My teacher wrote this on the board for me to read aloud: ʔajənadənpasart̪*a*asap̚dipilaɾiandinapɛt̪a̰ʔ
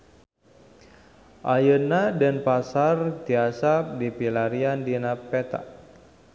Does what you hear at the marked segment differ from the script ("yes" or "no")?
yes